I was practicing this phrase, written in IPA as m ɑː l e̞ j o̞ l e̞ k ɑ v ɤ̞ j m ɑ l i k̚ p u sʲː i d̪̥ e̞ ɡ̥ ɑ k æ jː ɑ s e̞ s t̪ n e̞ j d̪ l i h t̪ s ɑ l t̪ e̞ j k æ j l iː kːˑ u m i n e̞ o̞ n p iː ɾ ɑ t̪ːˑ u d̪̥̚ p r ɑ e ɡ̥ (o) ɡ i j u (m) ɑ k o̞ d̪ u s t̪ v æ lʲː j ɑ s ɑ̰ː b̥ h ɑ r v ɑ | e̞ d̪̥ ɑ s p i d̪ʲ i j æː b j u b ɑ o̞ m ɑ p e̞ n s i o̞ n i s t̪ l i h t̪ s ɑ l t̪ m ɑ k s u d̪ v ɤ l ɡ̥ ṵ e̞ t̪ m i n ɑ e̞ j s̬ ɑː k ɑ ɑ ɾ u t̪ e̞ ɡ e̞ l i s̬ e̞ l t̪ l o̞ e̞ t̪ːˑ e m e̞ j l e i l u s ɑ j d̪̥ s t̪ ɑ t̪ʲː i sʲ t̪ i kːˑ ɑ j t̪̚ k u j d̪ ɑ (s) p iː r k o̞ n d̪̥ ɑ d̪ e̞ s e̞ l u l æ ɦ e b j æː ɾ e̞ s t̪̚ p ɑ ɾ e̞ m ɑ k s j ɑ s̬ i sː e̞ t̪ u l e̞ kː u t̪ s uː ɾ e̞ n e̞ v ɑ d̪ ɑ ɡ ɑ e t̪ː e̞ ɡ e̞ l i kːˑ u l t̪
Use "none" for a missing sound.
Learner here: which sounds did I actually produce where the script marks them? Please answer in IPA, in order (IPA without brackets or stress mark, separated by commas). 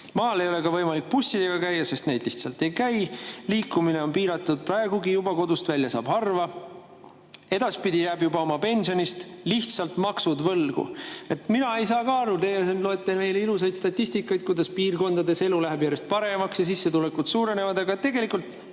u, b, s